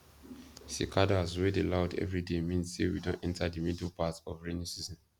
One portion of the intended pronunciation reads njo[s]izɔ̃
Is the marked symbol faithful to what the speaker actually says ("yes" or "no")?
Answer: yes